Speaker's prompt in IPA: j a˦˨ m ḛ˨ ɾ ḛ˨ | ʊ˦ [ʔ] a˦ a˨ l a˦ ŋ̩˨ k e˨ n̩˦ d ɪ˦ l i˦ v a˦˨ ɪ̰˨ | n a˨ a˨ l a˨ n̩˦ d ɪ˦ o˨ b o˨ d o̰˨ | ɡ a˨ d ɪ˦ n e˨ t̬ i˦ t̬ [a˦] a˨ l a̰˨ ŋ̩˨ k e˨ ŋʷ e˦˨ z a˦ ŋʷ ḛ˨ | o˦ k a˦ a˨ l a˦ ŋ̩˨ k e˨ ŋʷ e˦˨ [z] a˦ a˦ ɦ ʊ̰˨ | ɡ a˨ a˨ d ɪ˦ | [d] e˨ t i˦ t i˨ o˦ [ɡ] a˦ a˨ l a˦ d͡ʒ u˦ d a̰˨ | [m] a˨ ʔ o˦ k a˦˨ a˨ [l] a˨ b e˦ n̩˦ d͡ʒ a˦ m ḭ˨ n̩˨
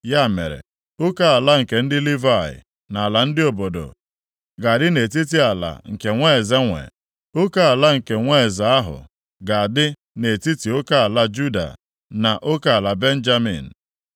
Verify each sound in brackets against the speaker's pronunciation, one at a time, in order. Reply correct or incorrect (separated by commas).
incorrect, incorrect, correct, incorrect, incorrect, incorrect, correct